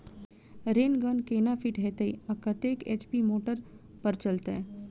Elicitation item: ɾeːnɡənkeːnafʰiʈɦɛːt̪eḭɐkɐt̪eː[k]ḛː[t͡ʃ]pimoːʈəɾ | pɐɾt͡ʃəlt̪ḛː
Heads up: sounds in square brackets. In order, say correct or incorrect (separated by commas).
correct, correct